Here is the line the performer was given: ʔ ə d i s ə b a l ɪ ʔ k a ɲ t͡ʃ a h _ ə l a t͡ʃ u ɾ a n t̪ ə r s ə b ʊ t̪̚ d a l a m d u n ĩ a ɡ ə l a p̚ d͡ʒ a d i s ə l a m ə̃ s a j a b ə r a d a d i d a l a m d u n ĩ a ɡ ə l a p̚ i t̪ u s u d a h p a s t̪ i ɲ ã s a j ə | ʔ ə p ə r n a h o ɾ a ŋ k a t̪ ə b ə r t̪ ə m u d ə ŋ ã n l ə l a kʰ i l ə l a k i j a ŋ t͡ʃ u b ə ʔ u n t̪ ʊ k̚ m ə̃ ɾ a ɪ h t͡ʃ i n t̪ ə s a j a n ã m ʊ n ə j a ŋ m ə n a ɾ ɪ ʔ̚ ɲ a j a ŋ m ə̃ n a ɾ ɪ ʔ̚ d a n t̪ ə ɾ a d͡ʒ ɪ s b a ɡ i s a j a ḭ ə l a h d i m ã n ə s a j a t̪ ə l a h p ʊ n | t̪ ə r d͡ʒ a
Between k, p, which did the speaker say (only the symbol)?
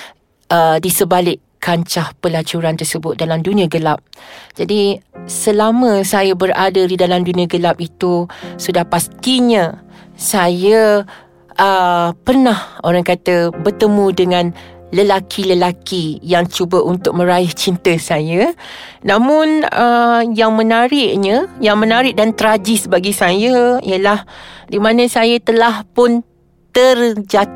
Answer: p